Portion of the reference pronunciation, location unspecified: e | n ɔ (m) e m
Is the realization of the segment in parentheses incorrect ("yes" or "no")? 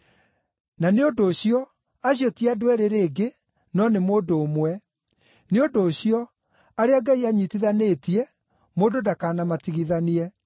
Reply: yes